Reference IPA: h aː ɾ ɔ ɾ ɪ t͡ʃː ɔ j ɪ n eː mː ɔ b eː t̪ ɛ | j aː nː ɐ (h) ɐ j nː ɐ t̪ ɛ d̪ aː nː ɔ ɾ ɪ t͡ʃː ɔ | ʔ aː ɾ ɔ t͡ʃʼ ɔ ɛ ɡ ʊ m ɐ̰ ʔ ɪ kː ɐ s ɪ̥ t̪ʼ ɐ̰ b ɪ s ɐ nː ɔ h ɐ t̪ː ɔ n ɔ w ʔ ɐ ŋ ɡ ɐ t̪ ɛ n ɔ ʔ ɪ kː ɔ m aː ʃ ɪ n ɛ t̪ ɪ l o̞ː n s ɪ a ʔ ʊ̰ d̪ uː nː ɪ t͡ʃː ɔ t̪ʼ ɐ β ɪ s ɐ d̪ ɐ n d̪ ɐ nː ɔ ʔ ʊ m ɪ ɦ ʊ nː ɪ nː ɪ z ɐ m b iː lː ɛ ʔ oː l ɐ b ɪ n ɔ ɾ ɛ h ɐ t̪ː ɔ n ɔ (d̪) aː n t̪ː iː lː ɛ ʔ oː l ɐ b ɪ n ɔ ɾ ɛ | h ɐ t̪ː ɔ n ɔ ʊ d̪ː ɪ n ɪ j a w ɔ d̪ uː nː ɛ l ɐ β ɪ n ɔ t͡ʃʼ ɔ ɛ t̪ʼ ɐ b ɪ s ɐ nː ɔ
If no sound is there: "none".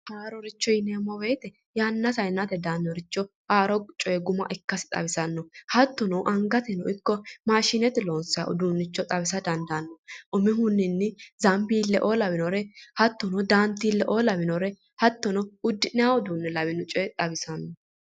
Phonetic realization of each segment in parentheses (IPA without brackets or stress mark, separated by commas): s, d̪